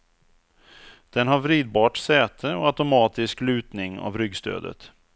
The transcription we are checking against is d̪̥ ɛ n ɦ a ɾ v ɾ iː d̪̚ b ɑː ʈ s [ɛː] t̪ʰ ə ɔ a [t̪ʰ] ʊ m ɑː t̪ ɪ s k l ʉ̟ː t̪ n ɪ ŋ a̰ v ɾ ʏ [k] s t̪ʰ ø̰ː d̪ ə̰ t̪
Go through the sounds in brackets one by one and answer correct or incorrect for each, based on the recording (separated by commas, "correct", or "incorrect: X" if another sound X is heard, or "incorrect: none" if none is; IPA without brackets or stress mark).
correct, incorrect: t̪, incorrect: ɡ